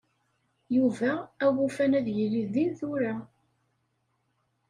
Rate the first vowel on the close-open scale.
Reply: close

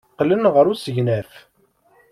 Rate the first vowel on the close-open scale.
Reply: mid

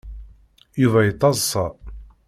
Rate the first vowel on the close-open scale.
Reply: close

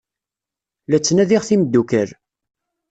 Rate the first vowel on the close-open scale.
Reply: open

